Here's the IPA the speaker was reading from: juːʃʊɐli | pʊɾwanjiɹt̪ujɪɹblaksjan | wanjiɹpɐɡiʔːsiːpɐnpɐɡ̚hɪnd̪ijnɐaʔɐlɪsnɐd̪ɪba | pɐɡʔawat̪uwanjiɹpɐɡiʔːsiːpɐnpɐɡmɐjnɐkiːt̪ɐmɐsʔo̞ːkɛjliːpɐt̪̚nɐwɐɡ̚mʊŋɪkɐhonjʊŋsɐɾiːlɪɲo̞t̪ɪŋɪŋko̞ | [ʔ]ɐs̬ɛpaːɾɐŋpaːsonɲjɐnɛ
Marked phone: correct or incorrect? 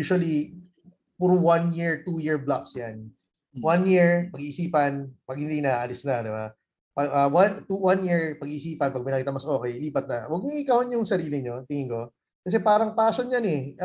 incorrect